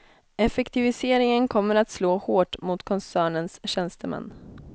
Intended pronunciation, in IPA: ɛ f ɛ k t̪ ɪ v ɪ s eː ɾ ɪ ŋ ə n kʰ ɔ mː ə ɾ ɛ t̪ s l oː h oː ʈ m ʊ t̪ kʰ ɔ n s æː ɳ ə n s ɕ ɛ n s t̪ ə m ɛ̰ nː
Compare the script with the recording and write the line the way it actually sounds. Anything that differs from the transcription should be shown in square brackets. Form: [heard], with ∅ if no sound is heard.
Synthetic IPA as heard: ɛ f ɛ k t̪ ɪ v ɪ s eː ɾ ɪ ŋ ə n kʰ ɔ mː ə ɾ [a] t̪ s l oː h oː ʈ m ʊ t̪ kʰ ɔ n s æː ɳ ə n s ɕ ɛ n s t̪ ə m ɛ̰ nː